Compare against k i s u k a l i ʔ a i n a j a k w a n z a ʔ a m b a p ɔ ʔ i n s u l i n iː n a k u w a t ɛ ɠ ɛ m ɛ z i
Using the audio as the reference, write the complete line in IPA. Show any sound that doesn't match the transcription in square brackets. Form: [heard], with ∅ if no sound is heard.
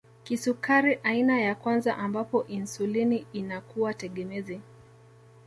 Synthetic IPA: k i s u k a [ɾ] i ʔ a i n a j a k w a n z a ʔ a m b a p ɔ ʔ i n s u l i n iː n a k u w a t ɛ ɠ ɛ m ɛ z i